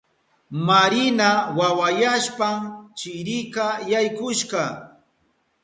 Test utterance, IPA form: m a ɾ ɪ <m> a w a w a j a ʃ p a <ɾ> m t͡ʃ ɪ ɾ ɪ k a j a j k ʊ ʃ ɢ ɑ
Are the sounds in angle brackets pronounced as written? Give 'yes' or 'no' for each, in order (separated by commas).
no, no